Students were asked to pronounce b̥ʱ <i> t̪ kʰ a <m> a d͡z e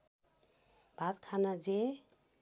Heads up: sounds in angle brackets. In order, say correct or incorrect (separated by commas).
incorrect, incorrect